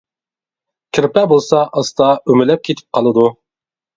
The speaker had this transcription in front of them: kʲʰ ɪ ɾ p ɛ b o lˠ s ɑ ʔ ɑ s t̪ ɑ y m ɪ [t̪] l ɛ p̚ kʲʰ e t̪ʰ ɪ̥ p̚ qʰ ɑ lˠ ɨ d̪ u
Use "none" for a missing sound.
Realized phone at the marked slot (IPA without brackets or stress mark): none